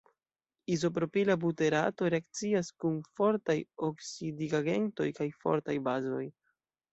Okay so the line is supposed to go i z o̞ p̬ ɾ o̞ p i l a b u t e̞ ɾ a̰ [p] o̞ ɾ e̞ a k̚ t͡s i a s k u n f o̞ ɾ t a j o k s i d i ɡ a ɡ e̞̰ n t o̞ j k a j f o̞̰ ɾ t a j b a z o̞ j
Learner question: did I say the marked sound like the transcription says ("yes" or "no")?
no